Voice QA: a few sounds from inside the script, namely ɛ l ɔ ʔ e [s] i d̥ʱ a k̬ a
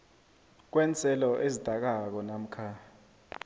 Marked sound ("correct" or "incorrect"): incorrect